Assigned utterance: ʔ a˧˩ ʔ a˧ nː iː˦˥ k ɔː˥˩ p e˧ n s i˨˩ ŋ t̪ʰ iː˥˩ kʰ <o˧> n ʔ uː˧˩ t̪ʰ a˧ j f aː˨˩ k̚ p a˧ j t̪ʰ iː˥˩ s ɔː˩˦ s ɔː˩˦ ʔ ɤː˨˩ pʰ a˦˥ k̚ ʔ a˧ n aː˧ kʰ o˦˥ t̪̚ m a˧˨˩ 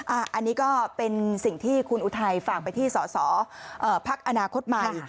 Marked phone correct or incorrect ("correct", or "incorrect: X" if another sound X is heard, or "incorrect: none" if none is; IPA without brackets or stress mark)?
incorrect: u˧